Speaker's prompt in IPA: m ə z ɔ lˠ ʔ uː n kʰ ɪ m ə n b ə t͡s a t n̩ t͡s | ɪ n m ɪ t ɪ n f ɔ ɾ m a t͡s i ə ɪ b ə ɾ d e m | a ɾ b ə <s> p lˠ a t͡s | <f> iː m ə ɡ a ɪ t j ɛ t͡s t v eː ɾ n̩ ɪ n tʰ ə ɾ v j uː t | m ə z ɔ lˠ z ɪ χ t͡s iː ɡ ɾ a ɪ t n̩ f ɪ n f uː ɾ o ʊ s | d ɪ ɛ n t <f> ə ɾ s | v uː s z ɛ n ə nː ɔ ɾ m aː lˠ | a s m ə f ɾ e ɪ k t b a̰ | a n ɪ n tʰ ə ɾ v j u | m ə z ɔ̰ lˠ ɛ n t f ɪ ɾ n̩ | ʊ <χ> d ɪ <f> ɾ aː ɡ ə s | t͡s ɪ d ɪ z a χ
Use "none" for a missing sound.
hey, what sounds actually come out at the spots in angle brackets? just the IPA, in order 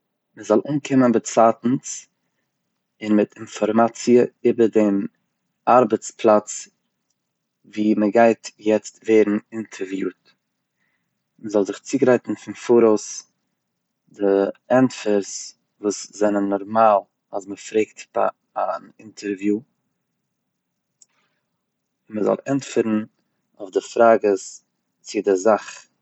t͡s, v, f, f, f

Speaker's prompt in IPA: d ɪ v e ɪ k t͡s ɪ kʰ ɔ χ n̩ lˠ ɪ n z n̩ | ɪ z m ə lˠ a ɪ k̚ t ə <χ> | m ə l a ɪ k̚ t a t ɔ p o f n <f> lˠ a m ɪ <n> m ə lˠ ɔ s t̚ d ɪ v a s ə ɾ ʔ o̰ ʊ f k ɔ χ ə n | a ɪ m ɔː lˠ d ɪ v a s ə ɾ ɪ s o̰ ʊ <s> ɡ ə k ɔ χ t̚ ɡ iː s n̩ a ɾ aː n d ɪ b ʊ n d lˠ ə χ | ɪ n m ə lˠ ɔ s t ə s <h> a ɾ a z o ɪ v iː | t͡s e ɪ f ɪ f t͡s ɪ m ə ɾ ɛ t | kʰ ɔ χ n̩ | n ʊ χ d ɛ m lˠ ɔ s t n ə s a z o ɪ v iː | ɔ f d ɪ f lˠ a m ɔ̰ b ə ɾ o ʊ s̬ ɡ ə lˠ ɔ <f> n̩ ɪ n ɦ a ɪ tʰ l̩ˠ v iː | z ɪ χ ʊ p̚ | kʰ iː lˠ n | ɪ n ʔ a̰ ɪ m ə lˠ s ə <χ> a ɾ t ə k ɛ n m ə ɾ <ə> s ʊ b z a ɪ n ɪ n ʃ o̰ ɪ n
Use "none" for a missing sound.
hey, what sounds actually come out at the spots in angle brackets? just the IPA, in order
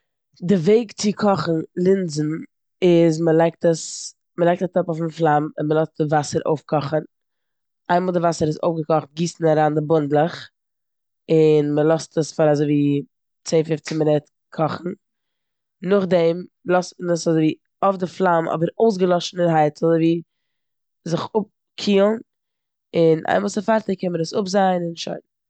s, f, n, f, f, ʃ, f, ə

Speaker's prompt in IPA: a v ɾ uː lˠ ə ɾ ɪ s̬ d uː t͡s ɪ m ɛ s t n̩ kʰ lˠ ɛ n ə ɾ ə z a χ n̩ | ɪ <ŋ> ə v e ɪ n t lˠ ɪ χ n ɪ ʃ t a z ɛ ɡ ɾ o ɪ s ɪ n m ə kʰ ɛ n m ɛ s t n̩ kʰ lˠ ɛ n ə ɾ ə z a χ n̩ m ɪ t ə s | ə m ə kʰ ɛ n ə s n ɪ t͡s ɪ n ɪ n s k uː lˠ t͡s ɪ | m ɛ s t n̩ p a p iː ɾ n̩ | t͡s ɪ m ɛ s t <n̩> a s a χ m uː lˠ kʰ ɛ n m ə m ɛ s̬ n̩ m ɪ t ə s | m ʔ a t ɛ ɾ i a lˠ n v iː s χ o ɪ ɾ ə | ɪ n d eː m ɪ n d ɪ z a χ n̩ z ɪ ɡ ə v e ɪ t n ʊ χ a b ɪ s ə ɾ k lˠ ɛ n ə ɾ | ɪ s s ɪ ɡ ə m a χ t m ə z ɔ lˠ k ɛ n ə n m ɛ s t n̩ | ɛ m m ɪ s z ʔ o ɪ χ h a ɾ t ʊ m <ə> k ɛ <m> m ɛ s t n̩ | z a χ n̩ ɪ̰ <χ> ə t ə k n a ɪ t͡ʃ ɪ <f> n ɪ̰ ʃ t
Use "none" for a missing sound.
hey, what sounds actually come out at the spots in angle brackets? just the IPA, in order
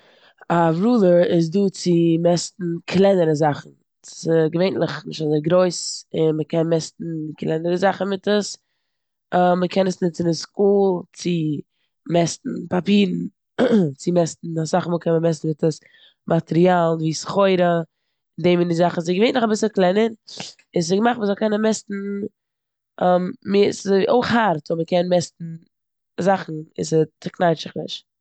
ɡ, n̩, ə, n, s, χ

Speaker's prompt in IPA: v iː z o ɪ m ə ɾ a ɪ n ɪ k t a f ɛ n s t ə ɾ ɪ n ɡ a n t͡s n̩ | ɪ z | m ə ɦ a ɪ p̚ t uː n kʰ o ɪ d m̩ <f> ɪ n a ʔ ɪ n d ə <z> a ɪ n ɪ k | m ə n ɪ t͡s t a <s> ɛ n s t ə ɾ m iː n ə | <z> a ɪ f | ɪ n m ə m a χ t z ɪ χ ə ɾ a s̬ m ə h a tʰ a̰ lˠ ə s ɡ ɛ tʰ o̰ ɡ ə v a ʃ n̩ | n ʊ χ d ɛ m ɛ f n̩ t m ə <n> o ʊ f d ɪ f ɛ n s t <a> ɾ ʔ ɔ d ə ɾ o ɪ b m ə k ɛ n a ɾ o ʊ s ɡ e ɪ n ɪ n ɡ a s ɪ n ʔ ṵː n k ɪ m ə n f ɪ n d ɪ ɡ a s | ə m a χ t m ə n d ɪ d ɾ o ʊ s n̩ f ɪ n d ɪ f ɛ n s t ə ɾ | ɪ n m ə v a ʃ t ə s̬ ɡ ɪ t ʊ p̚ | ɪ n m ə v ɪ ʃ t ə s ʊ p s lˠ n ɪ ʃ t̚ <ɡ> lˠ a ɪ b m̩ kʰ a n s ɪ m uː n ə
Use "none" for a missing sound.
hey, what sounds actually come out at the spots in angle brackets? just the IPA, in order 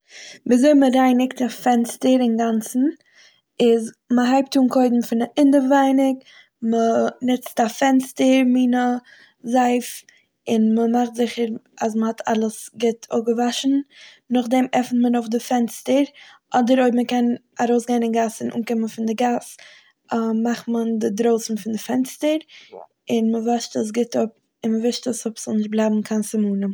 f, v, f, z, n, ə, b

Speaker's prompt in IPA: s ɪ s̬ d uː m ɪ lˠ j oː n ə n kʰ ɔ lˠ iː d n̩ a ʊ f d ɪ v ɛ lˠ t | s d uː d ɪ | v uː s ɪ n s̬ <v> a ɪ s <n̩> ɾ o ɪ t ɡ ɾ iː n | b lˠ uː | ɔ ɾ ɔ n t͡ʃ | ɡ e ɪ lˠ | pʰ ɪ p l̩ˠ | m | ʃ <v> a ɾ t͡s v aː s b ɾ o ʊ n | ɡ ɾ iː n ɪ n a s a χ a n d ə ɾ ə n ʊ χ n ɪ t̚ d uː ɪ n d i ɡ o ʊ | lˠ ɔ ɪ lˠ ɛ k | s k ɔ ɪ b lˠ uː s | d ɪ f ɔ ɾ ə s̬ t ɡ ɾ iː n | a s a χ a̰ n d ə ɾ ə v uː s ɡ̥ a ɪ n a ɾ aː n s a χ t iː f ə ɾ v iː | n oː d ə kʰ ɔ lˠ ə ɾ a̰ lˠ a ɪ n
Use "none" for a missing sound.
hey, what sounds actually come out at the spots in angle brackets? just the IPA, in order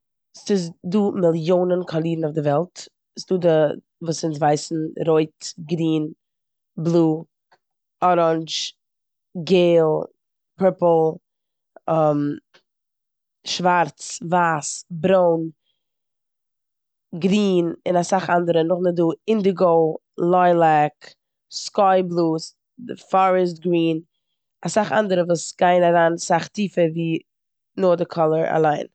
v, n̩, v

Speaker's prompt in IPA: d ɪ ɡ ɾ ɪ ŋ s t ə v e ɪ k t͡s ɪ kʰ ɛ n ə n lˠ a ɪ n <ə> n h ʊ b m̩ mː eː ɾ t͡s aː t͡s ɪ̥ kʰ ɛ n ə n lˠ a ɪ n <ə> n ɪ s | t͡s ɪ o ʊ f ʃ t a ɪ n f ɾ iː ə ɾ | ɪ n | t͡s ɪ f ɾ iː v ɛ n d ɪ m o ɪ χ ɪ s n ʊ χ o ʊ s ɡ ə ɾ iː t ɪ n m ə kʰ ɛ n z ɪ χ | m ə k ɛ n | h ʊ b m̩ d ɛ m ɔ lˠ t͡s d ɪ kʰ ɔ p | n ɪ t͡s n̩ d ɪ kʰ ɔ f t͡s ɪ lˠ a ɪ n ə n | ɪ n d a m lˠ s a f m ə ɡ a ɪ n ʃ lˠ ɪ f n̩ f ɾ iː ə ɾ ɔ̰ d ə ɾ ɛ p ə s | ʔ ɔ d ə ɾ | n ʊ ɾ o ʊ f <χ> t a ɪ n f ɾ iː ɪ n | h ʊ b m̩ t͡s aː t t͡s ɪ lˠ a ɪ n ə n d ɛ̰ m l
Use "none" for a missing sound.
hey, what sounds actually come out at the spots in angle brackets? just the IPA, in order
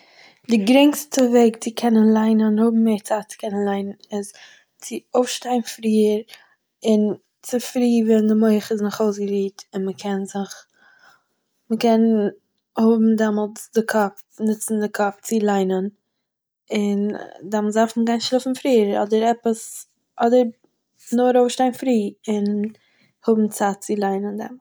ə, ə, ʃ

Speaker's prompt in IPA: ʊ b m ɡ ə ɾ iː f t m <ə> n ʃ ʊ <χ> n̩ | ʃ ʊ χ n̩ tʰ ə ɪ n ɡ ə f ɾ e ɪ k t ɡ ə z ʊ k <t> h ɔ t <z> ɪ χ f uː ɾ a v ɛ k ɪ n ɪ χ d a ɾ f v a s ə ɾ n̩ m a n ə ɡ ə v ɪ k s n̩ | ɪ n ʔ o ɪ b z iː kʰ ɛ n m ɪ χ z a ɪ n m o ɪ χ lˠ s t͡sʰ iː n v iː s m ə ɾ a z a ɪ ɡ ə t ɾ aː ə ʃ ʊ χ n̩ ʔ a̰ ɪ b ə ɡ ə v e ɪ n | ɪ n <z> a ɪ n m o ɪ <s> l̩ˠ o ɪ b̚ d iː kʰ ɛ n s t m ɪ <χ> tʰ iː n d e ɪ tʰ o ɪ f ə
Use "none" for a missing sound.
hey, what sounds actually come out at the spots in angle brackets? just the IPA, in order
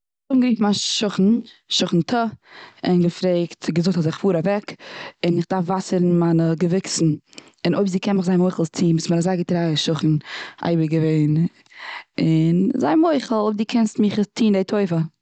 a, χ, t, z, z, χ, χ

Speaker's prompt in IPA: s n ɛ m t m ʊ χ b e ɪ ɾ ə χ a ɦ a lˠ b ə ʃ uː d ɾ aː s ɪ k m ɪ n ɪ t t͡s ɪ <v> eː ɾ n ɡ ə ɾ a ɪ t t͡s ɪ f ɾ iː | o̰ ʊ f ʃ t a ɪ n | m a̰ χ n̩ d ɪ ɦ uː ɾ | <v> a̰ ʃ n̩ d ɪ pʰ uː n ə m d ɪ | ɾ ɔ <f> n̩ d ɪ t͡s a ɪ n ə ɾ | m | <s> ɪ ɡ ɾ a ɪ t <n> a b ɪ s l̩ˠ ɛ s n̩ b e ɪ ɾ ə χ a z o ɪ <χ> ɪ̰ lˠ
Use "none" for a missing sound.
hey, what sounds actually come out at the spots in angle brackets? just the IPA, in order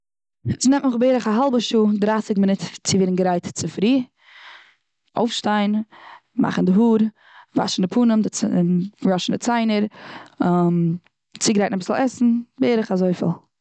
v, v, ʃ, t͡s, n, f

